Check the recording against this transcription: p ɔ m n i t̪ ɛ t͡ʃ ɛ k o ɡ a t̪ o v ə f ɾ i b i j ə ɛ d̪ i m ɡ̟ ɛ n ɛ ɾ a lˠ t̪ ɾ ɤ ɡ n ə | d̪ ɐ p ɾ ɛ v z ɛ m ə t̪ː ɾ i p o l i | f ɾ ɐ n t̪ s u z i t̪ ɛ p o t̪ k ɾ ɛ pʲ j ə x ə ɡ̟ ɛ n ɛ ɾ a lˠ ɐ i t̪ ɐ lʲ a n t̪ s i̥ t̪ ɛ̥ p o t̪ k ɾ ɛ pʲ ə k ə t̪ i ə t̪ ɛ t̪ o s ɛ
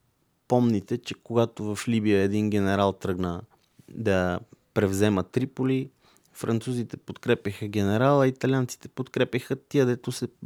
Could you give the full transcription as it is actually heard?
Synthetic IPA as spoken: p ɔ m n i t̪ ɛ t͡ʃ ɛ k o ɡ a t̪ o v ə f l i b i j ə ɛ d̪ i n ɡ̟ ɛ n ɛ ɾ a lˠ t̪ ɾ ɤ ɡ n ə | d̪ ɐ p ɾ ɛ v z ɛ m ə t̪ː ɾ i p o l i | f ɾ ɐ n t̪ s u z i t̪ ɛ p o t̪ k ɾ ɛ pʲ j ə x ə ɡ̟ ɛ n ɛ ɾ a lˠ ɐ i t̪ ɐ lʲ a n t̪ s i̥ t̪ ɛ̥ p o t̪ k ɾ ɛ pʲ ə x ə t̪ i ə d̪ ɛ t̪ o s ɛ